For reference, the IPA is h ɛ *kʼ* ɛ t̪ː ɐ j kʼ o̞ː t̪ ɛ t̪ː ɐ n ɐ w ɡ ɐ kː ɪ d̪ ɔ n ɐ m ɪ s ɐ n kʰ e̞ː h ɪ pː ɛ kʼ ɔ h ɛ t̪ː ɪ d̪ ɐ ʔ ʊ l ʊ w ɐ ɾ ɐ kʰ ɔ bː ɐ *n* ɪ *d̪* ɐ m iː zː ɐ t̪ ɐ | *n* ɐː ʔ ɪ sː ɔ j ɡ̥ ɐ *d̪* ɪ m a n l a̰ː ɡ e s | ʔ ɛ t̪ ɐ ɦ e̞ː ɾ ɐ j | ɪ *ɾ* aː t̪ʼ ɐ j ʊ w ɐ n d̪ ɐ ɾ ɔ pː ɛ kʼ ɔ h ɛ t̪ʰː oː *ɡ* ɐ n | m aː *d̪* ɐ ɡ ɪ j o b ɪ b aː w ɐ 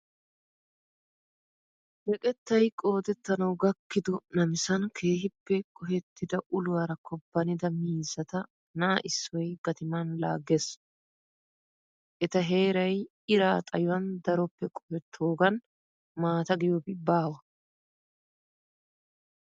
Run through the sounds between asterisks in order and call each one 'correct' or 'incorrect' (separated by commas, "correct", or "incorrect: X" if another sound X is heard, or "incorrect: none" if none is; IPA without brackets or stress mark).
correct, correct, correct, correct, incorrect: t̪, correct, correct, incorrect: t̪